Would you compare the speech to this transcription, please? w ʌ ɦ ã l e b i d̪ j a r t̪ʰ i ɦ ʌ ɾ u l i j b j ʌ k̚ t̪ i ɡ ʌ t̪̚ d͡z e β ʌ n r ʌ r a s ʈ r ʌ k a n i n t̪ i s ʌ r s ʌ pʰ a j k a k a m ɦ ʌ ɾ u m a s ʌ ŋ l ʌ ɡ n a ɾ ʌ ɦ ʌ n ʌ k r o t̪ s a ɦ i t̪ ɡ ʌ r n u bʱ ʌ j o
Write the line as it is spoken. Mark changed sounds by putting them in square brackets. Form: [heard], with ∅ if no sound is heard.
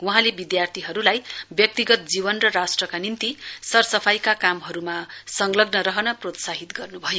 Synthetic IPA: w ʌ ɦ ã l e b i d̪ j a r t̪ʰ i ɦ ʌ ɾ u l [a] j b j ʌ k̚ t̪ i ɡ ʌ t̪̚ d͡z [i] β ʌ n r ʌ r a s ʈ r ʌ k a n i n t̪ i s ʌ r s ʌ pʰ a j k a k a m ɦ ʌ ɾ u m a s ʌ ŋ l ʌ ɡ n [ʌ] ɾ ʌ ɦ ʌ n ʌ [p] r o t̪ s a ɦ i t̪ ɡ ʌ r n u bʱ ʌ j o

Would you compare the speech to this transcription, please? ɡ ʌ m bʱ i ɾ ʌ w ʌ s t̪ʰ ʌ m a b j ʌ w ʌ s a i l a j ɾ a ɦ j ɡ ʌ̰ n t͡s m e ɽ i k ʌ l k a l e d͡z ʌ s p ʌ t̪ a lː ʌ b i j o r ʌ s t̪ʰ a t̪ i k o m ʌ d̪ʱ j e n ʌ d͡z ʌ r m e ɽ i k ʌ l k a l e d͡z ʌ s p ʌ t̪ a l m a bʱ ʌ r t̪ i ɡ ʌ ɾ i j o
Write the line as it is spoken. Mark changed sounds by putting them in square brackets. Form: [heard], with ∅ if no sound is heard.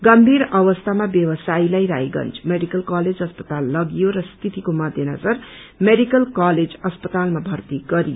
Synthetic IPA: ɡ ʌ m bʱ i ɾ ʌ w ʌ s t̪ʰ [a] m a b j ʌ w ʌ s a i l a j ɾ a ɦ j ɡ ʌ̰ n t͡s m e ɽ i k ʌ l k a l e d͡z ʌ s p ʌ t̪ a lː ʌ [ɡ] i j o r ʌ s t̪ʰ [i] t̪ i k o m ʌ d̪ʱ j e n ʌ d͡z ʌ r m e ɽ i k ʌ l k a l e d͡z ʌ s p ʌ t̪ a l m a bʱ ʌ r t̪ i ɡ ʌ ɾ i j o

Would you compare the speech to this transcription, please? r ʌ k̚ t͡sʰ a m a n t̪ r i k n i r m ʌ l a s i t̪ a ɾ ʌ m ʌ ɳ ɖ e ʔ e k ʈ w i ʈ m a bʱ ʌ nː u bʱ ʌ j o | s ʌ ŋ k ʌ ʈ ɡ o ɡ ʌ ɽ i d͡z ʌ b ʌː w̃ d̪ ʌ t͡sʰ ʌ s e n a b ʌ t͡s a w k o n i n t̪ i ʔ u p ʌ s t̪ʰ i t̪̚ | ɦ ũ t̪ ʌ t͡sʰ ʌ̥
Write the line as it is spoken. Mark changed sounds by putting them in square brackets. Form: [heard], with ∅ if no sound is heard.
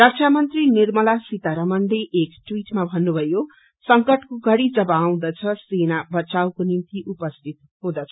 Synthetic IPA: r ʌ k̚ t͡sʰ a m [ʌ] n t̪ r i [∅] n i r m ʌ l a s i t̪ a ɾ ʌ m ʌ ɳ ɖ e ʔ e k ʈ w i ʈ m a bʱ ʌ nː u bʱ ʌ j o | s ʌ ŋ k ʌ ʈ [k] o ɡ ʌ ɽ i d͡z ʌ b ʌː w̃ d̪ ʌ t͡sʰ ʌ s e n a b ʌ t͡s a w k o n i n t̪ i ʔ u p ʌ s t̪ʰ i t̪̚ | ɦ ũ [d̪] ʌ t͡sʰ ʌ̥

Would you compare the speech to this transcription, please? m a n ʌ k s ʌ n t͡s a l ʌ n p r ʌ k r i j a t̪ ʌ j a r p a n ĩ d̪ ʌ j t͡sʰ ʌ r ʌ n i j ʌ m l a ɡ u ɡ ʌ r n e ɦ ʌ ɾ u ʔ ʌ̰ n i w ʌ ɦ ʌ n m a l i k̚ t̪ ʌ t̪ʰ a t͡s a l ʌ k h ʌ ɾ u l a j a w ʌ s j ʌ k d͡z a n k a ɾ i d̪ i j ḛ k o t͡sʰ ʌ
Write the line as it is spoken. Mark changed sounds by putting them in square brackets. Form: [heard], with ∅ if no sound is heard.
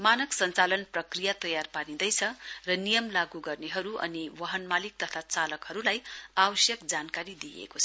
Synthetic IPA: m a n ʌ k s ʌ n t͡s a l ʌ n p r ʌ k r i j a t̪ ʌ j a r p a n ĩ d̪ ʌ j t͡sʰ ʌ r ʌ n i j ʌ m l a ɡ u ɡ ʌ r n e ɦ ʌ ɾ u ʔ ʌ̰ n i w ʌ ɦ ʌ n m a l i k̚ t̪ ʌ t̪ʰ a t͡s a l ʌ k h ʌ ɾ u l a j a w ʌ s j ʌ k d͡z a n k a ɾ i d̪ i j ḛ k o t͡sʰ ʌ

